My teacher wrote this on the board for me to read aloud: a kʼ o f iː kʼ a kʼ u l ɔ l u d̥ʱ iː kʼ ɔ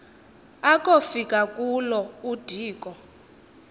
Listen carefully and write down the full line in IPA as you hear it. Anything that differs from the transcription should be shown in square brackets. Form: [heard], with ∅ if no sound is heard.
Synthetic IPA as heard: a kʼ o f [i] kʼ a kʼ u l ɔ [∅] u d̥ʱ iː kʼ ɔ